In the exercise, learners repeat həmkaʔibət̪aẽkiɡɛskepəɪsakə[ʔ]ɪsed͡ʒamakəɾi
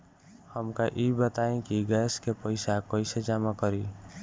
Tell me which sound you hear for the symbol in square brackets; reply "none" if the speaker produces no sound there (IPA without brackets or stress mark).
none